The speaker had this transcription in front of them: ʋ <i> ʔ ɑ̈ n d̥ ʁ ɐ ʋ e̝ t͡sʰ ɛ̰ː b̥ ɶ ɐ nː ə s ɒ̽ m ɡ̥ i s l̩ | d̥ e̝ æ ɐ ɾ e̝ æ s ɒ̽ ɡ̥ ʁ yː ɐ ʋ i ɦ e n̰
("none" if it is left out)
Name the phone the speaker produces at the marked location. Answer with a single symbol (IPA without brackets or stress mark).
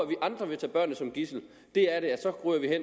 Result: i